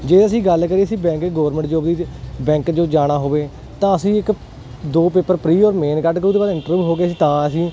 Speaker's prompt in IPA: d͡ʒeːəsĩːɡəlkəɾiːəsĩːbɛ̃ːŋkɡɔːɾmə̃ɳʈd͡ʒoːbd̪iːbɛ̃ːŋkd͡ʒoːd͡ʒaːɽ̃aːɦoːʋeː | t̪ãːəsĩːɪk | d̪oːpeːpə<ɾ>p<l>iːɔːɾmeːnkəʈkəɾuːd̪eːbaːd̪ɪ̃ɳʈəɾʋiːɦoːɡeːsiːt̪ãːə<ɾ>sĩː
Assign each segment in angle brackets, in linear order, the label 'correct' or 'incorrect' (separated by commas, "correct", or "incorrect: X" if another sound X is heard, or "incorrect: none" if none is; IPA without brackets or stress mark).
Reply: correct, incorrect: ɾ, incorrect: none